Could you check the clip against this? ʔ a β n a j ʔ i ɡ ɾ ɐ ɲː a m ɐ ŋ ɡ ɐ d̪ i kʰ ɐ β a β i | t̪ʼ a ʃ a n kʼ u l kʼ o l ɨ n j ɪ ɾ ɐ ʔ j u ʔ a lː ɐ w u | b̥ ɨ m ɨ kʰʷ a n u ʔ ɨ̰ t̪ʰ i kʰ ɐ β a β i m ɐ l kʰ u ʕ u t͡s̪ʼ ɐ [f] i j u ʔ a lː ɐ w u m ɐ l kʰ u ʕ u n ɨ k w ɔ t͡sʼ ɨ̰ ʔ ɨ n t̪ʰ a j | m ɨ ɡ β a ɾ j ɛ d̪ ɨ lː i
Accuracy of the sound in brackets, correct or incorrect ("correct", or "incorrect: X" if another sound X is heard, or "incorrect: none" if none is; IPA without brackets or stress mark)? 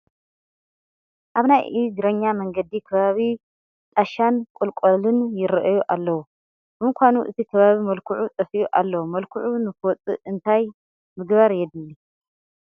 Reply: correct